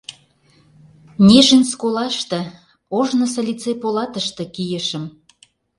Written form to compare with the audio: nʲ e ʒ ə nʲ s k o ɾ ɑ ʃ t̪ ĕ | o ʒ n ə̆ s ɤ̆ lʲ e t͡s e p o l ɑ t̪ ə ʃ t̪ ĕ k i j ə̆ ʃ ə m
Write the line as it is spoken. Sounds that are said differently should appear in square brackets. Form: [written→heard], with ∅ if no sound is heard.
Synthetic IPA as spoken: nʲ e ʒ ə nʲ s k o [ɾ→l] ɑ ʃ t̪ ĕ | o ʒ n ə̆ s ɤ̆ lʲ [e→i] t͡s e p o l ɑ t̪ ə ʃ t̪ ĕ k i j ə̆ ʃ ə m

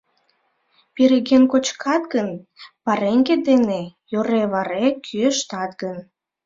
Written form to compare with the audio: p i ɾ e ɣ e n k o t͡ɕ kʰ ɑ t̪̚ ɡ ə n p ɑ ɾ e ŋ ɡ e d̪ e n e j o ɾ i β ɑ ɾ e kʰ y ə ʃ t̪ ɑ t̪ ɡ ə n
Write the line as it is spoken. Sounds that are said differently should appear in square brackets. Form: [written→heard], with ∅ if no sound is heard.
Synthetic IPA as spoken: p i ɾ e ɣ e n k o t͡ɕ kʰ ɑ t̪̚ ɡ ə n p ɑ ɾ e ŋ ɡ e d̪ e n e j o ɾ [i→e] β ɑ ɾ e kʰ y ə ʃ t̪ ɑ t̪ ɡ ə n

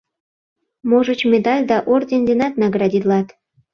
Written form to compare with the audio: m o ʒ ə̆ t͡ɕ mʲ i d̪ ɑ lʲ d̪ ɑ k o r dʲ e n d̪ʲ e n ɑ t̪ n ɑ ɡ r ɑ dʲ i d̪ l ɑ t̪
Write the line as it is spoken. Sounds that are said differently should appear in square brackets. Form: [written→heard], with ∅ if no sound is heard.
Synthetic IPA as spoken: m o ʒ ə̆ t͡ɕ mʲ [i→e] d̪ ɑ lʲ d̪ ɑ [k→ʔ] o r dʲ e n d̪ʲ e n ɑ t̪ n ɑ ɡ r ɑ dʲ i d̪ l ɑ t̪

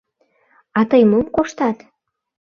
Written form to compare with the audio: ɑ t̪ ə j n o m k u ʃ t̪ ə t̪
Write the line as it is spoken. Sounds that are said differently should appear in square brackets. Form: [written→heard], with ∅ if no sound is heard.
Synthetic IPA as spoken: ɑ t̪ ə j [n→m] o m k [u→o] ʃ t̪ [ə→ɑ] t̪

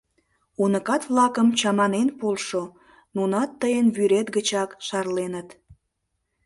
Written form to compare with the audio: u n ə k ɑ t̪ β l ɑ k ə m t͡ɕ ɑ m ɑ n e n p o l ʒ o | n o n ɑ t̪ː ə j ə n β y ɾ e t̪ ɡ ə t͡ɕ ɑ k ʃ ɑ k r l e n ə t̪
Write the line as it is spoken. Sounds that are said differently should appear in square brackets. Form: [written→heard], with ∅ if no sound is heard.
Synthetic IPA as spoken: u n ə k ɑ t̪ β l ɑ k ə m t͡ɕ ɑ m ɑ n e n p o l [ʒ→ʃ] o | n [o→u] n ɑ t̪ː ə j ə n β y ɾ e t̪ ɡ ə t͡ɕ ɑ k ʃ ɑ [k→∅] r l e n ə t̪

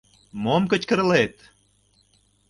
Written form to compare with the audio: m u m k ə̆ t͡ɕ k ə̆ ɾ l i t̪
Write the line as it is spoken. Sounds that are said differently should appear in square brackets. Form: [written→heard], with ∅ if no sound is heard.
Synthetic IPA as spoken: m [u→o] m k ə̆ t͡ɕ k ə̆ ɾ l [i→e] t̪

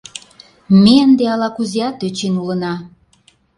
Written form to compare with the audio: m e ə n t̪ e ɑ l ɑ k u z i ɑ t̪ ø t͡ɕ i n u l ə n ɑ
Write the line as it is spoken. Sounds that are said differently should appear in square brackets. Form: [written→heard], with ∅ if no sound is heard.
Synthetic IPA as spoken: m e ə n [t̪→d̪] e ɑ l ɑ k u z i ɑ t̪ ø t͡ɕ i n u l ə n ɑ

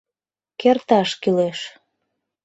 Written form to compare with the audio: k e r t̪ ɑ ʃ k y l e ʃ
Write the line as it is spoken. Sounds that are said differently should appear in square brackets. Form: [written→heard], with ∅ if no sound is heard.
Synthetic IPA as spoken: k e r t̪ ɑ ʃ k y l e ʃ

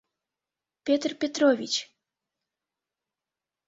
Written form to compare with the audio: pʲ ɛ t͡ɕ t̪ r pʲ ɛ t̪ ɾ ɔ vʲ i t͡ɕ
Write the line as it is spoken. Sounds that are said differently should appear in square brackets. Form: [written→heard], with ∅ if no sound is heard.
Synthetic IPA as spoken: pʲ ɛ [t͡ɕ→∅] t̪ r pʲ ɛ t̪ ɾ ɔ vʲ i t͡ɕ

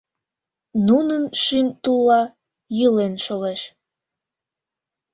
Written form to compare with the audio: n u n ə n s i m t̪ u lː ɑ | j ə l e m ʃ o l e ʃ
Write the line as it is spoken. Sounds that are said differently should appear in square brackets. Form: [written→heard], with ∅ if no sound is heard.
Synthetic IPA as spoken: n u n ə n [s→ʃ] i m t̪ u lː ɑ | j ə l e [m→n] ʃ o l e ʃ

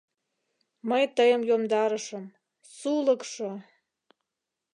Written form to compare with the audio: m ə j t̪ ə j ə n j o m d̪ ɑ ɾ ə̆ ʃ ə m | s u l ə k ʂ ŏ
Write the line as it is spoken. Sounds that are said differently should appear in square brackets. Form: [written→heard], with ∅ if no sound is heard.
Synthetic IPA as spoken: m ə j t̪ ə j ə [n→m] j o m d̪ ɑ ɾ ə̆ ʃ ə m | s u l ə k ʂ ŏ

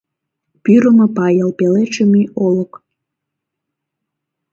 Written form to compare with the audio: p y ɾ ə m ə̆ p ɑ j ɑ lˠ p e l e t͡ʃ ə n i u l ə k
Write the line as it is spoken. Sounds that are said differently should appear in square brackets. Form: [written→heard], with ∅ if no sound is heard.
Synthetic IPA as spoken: p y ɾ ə m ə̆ p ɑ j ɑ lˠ p e l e t͡ʃ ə [n→m] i [u→o] l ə k

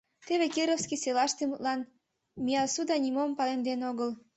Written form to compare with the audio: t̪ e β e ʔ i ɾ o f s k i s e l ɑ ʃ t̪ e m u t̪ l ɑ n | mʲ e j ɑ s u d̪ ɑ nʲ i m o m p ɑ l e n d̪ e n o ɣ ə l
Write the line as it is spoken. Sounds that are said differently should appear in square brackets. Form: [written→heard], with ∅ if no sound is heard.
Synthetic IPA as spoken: t̪ e β e [ʔ→k] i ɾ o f s k i s e l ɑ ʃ t̪ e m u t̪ l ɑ n | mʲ [e→i] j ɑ s u d̪ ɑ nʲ i m o m p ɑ l e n d̪ e n o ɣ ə l

